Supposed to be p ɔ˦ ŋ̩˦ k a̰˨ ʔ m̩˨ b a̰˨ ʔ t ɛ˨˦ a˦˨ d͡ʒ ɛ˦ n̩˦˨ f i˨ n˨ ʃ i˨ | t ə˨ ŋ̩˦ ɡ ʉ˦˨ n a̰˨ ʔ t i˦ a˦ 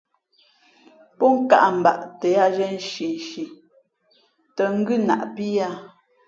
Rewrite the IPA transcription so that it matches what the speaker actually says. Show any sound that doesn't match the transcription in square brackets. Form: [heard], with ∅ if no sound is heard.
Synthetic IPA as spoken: p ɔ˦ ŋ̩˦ k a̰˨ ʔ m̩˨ b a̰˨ ʔ t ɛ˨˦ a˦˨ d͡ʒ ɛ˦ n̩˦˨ [ʃ] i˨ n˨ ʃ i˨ | t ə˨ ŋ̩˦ ɡ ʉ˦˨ n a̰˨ ʔ [p] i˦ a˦